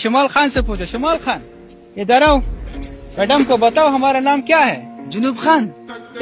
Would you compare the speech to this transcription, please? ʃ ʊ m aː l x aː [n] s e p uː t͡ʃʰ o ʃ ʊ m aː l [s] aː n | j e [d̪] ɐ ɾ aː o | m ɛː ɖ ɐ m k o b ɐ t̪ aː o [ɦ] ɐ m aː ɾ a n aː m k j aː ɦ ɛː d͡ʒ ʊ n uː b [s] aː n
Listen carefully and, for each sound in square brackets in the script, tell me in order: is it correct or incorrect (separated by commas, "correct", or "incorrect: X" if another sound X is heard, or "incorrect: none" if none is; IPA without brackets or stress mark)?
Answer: correct, incorrect: x, correct, correct, incorrect: x